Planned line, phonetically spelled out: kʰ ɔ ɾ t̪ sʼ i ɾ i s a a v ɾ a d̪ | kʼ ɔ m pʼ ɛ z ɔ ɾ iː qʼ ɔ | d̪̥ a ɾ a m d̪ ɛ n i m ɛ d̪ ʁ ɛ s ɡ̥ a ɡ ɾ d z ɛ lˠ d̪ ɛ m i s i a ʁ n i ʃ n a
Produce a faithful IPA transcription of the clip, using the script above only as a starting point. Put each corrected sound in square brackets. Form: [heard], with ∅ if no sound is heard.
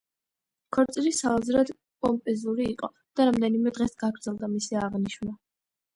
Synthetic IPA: kʰ ɔ ɾ t̪ sʼ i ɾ i s a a [z] ɾ a d̪ | kʼ ɔ m pʼ ɛ z [u] ɾ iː qʼ ɔ | d̪̥ a ɾ a m d̪ ɛ n i m ɛ d̪ ʁ ɛ s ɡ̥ a ɡ ɾ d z ɛ lˠ d̪ [a] m i s i a ʁ n i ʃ n a